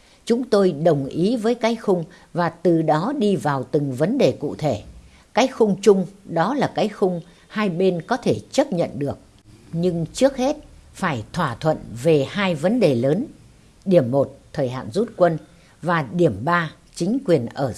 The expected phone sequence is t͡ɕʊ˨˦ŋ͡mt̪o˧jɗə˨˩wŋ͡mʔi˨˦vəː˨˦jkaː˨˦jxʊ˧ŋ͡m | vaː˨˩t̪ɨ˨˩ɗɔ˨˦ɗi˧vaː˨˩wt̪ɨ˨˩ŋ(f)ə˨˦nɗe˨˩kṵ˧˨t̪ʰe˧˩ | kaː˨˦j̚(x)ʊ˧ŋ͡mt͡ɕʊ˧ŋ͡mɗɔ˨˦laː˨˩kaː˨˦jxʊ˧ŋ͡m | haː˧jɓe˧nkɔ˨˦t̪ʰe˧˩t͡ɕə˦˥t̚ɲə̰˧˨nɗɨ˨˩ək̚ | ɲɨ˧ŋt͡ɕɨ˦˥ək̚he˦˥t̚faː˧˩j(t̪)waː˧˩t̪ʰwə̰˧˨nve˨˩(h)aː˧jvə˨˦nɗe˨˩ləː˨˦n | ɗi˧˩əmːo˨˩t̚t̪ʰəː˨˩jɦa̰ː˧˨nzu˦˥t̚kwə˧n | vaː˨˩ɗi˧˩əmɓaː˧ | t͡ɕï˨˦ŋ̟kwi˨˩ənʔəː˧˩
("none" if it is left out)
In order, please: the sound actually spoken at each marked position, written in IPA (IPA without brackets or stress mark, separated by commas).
v, x, t̪ʰ, h